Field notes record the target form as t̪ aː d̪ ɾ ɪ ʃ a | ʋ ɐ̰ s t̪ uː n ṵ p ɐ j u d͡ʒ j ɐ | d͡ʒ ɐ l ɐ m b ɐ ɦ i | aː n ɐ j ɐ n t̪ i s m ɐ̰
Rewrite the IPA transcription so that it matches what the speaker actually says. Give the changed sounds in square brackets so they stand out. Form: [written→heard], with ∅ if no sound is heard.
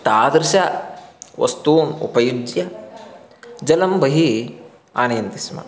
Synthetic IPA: t̪ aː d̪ ɾ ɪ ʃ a | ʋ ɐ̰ s t̪ uː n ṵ p ɐ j u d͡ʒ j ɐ | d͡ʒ ɐ l ɐ m b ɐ ɦ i | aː n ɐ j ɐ n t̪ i s m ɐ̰